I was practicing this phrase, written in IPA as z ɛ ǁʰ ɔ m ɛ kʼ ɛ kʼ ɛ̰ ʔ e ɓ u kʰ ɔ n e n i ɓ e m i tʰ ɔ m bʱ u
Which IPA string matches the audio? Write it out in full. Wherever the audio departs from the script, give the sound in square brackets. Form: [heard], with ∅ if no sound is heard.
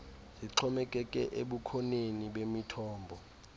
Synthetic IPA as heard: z [i] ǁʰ ɔ m ɛ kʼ ɛ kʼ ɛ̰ ʔ e ɓ u kʰ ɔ n e n i ɓ e m i tʰ [ɔː] m bʱ [ɔ]